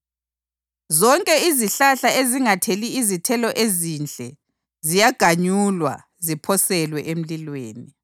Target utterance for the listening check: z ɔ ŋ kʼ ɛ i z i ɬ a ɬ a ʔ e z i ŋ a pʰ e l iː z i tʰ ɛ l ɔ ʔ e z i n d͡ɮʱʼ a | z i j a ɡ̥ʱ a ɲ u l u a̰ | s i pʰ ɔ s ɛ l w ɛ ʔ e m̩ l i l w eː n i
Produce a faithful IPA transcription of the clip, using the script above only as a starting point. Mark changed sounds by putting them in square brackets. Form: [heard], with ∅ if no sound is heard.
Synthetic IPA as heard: z ɔ ŋ kʼ ɛ i z i ɬ a ɬ a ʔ e z i ŋ a [tʰ] e l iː z i tʰ ɛ l ɔ ʔ e z i n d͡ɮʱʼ [ɛ] | z i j a ɡ̥ʱ a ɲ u l [w] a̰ | [z] i pʰ ɔ s ɛ l w ɛ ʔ e m̩ l i l w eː n i